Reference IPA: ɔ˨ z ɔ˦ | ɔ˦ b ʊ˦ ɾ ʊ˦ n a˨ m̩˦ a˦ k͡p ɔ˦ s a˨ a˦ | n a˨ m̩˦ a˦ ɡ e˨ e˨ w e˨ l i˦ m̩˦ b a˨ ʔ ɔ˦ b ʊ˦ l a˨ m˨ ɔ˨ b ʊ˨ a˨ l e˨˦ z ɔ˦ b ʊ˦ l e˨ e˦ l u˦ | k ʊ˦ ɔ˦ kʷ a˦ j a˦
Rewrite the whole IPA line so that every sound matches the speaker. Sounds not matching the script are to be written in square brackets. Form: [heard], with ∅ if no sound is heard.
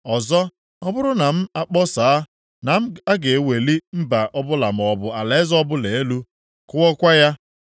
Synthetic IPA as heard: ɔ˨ z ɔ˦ | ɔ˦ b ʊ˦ ɾ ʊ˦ n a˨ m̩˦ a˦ k͡p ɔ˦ s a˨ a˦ | n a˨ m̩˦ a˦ ɡ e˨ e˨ w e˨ l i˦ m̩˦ b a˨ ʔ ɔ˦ b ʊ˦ l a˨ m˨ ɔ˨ b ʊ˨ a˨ l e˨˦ z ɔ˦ b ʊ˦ l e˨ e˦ l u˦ | k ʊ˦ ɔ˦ kʷ a˦ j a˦